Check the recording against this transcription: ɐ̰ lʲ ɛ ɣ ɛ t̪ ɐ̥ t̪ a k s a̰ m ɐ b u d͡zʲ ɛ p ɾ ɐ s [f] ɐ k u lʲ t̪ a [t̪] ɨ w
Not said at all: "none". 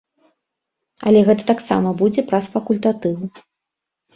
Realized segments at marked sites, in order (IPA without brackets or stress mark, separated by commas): f, t̪